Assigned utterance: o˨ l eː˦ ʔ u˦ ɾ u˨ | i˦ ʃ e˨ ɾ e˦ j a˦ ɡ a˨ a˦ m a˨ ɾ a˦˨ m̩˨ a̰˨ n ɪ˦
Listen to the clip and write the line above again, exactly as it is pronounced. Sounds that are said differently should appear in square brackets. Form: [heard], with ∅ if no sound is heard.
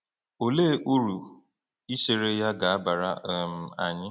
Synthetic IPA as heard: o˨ l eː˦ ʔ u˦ ɾ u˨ | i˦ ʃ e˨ ɾ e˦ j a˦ ɡ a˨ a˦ [b] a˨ ɾ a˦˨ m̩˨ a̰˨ [ɲ] ɪ˦